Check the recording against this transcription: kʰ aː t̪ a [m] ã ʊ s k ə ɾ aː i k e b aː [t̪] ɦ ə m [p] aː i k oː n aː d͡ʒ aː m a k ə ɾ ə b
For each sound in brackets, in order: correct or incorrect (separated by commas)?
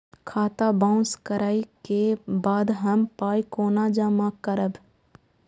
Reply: incorrect, incorrect, correct